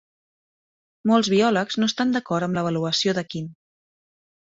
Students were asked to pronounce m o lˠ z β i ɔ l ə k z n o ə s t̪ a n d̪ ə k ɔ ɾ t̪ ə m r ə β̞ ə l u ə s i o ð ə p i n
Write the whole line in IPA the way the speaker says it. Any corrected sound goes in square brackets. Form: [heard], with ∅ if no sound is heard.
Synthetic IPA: m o lˠ z β i ɔ l ə k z n o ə s t̪ a n d̪ ə k ɔ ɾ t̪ ə m [l] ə β̞ ə l u ə s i o ð ə [k] i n